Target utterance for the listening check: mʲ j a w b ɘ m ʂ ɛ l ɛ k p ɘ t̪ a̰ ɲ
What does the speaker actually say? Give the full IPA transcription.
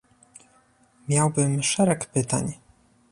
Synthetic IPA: mʲ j a w b ɘ m ʂ ɛ ɾ ɛ k p ɘ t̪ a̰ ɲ